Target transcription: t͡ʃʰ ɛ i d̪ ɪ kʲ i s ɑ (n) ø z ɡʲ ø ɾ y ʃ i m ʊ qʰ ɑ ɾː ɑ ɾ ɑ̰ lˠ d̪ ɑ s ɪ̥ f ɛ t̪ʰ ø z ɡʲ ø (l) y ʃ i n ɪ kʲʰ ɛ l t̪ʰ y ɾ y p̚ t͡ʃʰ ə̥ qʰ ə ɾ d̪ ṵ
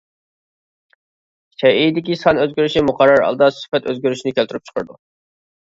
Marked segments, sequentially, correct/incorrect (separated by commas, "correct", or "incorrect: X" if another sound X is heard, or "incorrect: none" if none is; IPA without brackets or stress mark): correct, incorrect: ɾ